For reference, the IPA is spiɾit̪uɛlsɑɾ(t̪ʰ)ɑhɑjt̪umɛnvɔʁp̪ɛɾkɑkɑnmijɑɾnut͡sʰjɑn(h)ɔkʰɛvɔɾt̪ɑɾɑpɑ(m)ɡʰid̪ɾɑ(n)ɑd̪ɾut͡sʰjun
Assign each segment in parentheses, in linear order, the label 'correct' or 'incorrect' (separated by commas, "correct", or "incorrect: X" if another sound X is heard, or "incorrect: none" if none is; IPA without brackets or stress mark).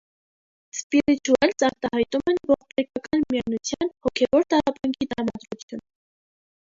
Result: incorrect: t̪, correct, incorrect: ŋ, incorrect: m